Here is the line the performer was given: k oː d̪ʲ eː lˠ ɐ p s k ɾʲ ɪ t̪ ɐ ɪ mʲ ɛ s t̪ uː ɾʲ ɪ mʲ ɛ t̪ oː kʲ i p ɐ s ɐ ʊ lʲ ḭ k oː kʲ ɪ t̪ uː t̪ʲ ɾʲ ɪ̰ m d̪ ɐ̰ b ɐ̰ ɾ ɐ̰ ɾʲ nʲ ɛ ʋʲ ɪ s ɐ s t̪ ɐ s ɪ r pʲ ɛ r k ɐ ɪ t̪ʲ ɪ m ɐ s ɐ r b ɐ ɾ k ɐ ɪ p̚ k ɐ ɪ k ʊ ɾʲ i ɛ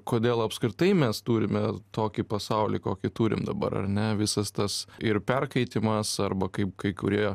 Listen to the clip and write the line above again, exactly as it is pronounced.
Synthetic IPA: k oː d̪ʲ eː lˠ ɐ p s k ɾʲ ɪ t̪ ɐ ɪ mʲ ɛ s t̪ uː ɾʲ ɪ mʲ ɛ t̪ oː kʲ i p ɐ s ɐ ʊ lʲ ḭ k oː kʲ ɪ t̪ uː ɾʲ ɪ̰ m d̪ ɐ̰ b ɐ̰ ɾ ɐ̰ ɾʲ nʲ ɛ ʋʲ ɪ s ɐ s t̪ ɐ s ɪ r pʲ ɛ r k ɐ ɪ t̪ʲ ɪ m ɐ s ɐ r b ɐ k ɐ ɪ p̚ k ɐ ɪ k ʊ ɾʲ i ɛ